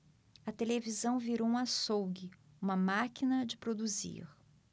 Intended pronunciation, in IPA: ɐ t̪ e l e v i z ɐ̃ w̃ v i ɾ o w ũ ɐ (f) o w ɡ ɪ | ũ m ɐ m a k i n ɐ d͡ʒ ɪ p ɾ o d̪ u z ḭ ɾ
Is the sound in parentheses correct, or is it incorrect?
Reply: incorrect: s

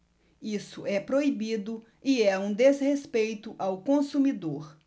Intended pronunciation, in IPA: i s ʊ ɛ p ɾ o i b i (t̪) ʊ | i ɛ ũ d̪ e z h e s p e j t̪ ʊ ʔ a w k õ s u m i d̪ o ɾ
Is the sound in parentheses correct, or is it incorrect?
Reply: incorrect: d̪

